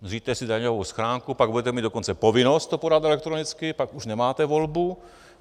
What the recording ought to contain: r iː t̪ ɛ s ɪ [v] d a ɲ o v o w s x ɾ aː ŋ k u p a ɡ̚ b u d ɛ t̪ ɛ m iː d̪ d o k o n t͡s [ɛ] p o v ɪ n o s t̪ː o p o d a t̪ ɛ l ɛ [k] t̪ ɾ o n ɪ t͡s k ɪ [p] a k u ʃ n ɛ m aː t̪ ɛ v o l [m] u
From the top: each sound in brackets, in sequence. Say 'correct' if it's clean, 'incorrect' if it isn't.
incorrect, correct, correct, correct, incorrect

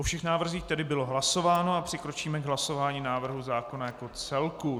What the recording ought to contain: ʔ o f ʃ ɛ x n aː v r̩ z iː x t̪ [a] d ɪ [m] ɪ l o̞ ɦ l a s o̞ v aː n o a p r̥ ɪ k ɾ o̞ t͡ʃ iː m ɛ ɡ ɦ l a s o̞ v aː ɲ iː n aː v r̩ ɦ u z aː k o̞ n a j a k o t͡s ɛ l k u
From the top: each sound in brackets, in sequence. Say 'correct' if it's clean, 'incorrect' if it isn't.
incorrect, incorrect

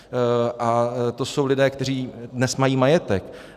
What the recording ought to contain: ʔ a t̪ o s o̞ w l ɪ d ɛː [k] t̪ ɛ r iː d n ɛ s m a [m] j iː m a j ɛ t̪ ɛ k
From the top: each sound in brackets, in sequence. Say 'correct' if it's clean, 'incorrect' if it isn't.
correct, incorrect

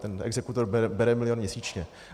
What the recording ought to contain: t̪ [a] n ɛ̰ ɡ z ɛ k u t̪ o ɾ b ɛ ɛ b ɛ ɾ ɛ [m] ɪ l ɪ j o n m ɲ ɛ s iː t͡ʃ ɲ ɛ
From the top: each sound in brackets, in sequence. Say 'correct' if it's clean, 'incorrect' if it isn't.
incorrect, correct

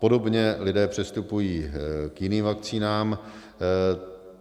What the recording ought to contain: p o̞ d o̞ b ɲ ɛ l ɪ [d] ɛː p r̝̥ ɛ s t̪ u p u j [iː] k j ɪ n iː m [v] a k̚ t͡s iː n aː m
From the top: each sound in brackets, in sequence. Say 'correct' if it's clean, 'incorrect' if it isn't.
correct, correct, correct

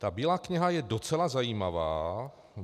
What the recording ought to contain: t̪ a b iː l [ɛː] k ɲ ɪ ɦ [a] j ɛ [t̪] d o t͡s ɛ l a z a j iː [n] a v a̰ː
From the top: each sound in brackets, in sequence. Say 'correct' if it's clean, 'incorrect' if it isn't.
incorrect, correct, incorrect, incorrect

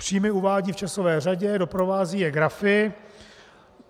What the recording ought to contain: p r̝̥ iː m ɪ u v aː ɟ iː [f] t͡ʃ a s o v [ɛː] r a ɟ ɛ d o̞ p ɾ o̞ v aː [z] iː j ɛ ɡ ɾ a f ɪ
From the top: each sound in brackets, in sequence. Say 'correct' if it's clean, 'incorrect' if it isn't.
correct, correct, correct

